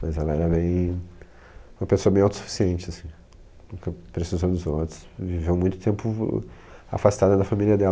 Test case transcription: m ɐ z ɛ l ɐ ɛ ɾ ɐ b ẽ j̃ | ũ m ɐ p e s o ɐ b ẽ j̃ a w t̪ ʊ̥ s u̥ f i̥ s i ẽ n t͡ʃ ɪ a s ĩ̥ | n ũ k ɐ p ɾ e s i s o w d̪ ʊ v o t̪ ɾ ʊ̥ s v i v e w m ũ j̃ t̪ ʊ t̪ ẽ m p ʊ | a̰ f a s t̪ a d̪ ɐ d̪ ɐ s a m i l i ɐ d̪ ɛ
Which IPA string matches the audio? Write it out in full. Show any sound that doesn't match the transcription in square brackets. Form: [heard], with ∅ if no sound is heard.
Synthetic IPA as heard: m ɐ z ɛ l ɐ ɛ ɾ ɐ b ẽ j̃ | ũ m ɐ p e s o ɐ b ẽ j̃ a w t̪ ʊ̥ s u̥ f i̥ s i ẽ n t͡ʃ ɪ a s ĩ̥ | n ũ k ɐ p ɾ e s i [z] o w d̪ ʊ [z] o t̪ ɾ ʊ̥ s v i v e w m ũ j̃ t̪ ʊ t̪ ẽ m p ʊ | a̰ f a s t̪ a d̪ ɐ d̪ ɐ [f] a m i l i ɐ d̪ ɛ